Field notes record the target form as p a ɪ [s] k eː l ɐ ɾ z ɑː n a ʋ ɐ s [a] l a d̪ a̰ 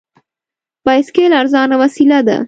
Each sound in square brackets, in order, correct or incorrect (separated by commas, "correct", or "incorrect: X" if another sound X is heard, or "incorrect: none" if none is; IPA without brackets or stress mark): correct, incorrect: i